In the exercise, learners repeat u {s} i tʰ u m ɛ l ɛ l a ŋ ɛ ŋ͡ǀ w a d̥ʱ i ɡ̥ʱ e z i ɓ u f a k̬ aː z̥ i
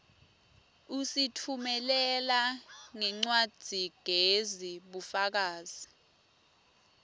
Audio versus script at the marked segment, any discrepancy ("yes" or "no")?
no